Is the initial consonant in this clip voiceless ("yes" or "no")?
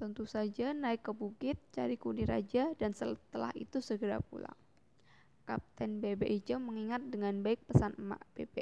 yes